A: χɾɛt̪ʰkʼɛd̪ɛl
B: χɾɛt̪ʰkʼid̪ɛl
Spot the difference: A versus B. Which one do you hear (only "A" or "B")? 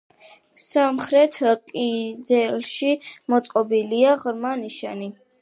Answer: B